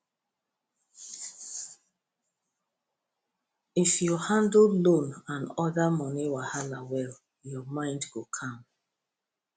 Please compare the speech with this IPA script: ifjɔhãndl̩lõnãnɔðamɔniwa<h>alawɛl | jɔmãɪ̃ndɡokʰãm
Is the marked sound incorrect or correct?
correct